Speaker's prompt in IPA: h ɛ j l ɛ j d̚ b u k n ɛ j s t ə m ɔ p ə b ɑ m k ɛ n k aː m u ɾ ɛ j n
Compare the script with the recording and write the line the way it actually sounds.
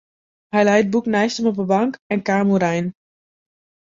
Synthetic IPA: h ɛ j l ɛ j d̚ b u k n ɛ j s t ə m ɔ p ə b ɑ ŋ k ɛ n k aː m u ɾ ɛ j n